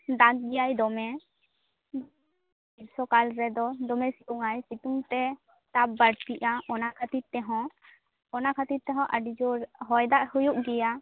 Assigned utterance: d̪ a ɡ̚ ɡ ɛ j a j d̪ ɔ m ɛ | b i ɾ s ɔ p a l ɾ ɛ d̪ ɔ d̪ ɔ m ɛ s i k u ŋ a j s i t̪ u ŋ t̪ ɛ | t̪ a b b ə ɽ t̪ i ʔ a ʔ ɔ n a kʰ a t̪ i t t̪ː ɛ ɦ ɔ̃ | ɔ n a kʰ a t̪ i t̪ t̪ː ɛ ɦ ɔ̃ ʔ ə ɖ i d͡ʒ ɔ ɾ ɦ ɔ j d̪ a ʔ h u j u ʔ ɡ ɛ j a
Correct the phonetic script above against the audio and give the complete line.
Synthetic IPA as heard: d̪ a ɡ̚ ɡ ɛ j a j d̪ ɔ m ɛ | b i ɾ s ɔ k a l ɾ ɛ d̪ ɔ d̪ ɔ m ɛ s i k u ŋ a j s i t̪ u ŋ t̪ ɛ | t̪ a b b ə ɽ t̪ i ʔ a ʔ ɔ n a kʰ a t̪ i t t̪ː ɛ ɦ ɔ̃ | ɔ n a kʰ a t̪ i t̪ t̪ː ɛ ɦ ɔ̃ ʔ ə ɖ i d͡ʒ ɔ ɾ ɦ ɔ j d̪ a ʔ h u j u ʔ ɡ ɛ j a